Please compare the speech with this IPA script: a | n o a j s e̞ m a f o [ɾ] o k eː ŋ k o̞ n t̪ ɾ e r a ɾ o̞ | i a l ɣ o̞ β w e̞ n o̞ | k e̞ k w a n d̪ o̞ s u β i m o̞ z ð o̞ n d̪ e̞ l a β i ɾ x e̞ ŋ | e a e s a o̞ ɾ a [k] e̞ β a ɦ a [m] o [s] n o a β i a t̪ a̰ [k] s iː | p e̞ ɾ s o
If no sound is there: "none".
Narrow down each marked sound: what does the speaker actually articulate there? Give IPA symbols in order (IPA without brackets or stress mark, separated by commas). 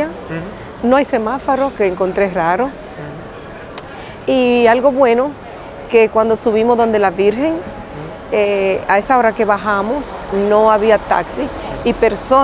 ɾ, k, m, s, k